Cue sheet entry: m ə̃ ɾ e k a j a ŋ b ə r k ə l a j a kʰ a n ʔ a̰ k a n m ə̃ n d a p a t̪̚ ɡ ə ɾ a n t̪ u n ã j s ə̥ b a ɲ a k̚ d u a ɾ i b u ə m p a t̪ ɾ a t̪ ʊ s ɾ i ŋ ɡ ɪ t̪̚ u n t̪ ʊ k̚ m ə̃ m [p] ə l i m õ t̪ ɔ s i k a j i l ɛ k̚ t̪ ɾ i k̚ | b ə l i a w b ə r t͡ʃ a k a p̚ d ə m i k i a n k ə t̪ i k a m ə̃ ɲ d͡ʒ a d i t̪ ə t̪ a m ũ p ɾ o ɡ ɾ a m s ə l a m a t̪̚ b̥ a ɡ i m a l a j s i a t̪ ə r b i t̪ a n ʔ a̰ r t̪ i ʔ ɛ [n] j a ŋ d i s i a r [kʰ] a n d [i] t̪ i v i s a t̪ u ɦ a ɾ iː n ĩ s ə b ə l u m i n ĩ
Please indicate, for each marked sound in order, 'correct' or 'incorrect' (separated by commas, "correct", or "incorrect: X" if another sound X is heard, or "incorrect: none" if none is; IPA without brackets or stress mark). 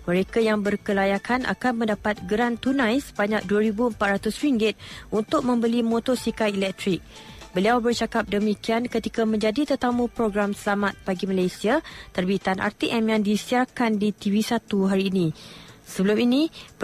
incorrect: b, incorrect: m, incorrect: k, correct